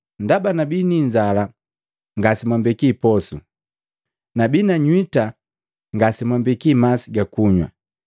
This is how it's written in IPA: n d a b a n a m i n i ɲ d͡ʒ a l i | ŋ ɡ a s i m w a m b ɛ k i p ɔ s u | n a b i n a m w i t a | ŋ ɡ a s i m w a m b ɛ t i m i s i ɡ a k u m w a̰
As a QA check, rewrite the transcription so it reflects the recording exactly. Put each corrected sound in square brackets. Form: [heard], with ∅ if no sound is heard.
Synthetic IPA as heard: n d a b a n a [b] i n i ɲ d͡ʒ a l [a] | ŋ ɡ a s i m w a m b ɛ k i p ɔ s u | n a b i n a [ɲ] w i t a | ŋ ɡ a s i m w a m b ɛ [k] i m [a] s i ɡ a k u [ɲ] w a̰